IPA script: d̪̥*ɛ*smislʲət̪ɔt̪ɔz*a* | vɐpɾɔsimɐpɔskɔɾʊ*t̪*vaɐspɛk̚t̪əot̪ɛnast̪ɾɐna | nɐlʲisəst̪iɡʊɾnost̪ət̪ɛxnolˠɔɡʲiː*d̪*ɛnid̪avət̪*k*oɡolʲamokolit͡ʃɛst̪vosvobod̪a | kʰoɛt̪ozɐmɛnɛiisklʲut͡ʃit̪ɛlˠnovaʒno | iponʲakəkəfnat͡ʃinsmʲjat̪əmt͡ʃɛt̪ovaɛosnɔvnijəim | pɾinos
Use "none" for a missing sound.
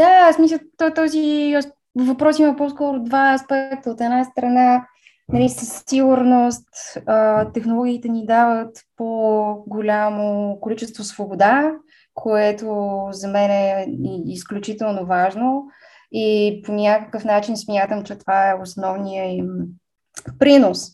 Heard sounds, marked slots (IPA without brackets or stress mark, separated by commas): a, i, d̪, t̪, p